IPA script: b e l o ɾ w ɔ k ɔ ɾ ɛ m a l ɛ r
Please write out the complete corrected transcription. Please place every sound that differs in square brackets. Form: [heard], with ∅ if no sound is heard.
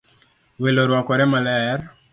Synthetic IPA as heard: [w] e l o ɾ w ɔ k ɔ ɾ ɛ m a l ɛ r